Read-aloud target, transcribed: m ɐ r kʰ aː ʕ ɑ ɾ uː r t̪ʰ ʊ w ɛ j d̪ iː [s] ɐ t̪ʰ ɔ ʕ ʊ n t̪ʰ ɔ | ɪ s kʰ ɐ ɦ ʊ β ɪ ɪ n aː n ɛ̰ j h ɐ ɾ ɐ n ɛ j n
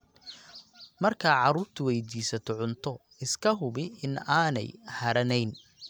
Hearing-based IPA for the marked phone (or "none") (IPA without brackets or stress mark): s